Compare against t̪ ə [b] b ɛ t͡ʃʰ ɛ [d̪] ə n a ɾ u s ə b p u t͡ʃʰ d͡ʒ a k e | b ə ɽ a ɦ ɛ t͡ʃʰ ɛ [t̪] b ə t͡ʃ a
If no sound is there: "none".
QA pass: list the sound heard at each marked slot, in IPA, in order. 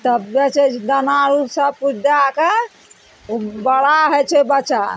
b, d̪, none

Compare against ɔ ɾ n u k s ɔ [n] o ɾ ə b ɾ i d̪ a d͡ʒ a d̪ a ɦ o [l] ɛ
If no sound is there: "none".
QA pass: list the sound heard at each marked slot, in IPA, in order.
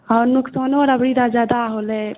n, l

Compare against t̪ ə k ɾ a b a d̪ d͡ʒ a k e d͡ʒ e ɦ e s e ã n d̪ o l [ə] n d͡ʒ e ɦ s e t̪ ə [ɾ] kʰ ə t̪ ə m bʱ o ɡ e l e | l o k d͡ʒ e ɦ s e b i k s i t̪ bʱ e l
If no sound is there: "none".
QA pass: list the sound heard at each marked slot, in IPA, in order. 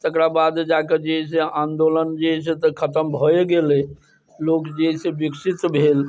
ə, none

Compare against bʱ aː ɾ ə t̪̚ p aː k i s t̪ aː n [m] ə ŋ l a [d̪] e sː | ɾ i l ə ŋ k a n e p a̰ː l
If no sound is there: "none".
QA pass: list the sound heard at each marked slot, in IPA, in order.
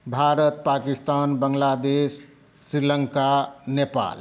b, d̪

